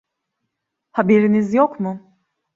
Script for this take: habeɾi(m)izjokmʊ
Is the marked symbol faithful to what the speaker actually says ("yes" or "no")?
no